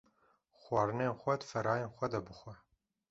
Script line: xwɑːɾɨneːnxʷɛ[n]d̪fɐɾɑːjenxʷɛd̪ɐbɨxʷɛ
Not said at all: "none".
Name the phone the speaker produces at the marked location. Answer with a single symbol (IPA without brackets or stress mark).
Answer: none